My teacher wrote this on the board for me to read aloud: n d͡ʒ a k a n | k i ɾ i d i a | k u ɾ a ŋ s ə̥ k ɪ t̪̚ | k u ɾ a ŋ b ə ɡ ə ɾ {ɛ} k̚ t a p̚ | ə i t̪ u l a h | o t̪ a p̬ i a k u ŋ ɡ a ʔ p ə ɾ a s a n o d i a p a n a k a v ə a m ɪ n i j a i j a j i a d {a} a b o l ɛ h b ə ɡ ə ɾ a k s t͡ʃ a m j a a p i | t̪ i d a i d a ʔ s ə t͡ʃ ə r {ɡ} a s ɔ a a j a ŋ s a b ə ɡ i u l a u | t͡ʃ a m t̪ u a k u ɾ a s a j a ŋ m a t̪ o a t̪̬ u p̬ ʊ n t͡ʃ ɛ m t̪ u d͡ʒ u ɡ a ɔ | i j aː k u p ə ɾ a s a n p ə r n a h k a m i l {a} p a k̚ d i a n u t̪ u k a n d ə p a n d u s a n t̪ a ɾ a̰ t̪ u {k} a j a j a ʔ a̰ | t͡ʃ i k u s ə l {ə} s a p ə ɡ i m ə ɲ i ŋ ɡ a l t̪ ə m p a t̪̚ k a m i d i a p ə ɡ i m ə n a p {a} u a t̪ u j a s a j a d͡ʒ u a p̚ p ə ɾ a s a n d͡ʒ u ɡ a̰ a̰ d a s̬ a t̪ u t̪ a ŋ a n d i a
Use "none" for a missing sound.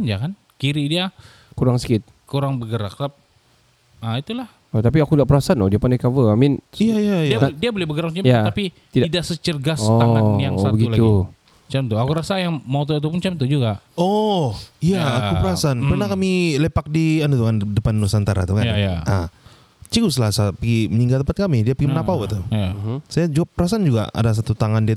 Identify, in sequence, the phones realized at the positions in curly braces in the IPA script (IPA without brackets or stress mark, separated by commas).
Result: a, i, ɡ, e, k, a, a